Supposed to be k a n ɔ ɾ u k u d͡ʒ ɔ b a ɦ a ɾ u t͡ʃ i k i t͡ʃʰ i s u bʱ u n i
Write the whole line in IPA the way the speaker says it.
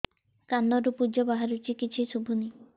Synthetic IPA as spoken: k a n ɔ ɾ u p u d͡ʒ ɔ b a ɦ a ɾ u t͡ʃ i k i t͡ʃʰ i s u bʱ u n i